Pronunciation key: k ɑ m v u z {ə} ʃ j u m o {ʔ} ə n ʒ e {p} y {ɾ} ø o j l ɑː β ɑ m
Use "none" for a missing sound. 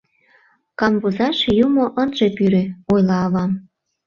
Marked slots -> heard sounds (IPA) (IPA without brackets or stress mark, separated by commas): ɑ, ʔ, p, ɾ